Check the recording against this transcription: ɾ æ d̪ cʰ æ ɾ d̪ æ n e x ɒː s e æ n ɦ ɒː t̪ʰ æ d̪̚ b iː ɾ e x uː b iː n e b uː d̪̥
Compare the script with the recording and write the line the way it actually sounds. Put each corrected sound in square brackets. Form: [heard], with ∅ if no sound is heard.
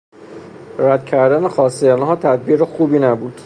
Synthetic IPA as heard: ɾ æ d̪ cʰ æ ɾ d̪ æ n e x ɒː s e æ n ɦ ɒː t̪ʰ æ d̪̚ b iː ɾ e x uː b iː n [æ] b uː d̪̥